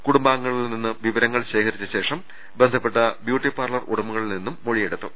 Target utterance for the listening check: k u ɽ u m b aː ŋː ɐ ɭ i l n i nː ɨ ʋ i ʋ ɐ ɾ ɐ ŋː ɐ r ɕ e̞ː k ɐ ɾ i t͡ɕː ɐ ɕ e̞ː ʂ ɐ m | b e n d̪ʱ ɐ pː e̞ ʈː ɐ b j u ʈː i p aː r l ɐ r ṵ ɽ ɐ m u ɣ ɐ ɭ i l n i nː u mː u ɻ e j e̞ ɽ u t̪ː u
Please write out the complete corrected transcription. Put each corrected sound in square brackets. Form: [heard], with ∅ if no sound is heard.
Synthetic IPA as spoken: k u ɽ u m b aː ŋː ɐ ɭ i l n i nː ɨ ʋ i ʋ ɐ ɾ ɐ ŋː ɐ [ɭ] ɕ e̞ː k ɐ ɾ i t͡ɕː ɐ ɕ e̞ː ʂ ɐ m | b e n d̪ʱ ɐ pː e̞ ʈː ɐ b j [uː] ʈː i p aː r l ɐ r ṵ ɽ ɐ m u ɣ ɐ ɭ i l n i nː u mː [o] ɻ [i] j e̞ ɽ u t̪ː u